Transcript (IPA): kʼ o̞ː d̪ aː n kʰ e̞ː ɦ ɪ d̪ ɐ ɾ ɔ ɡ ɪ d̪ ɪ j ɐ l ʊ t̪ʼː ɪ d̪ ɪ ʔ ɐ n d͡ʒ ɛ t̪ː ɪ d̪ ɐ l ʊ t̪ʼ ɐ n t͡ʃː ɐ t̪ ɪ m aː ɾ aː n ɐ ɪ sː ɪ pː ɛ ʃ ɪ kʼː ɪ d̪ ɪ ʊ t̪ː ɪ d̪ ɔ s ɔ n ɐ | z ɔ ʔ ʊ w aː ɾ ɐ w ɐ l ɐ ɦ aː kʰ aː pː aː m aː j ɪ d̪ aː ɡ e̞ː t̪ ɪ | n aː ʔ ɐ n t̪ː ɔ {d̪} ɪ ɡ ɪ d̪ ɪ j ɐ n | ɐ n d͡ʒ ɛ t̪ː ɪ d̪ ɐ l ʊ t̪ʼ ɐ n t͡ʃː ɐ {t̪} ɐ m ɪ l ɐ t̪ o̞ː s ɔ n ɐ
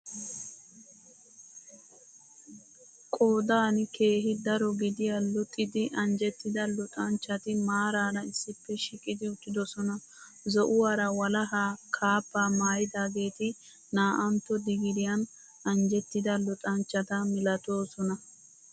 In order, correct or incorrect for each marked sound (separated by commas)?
correct, correct